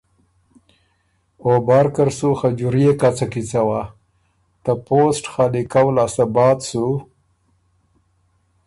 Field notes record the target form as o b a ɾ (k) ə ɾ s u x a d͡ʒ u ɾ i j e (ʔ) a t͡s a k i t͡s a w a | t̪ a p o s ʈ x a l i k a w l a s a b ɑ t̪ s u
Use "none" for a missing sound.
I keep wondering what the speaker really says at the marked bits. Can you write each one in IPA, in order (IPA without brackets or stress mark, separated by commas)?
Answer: k, k